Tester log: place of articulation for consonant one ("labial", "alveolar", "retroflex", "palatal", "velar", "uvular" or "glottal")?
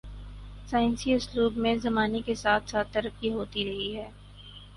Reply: alveolar